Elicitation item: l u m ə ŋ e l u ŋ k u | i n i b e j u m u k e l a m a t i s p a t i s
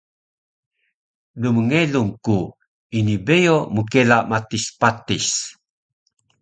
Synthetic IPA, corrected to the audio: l u m ə ŋ e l u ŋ k u | i n i b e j o m u k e l a m a t i s p a t i s